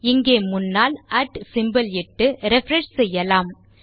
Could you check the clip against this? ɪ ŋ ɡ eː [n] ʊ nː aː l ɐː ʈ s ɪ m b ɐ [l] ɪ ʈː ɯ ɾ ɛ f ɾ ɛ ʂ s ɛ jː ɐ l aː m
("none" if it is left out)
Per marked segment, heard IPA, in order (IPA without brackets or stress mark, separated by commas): m, l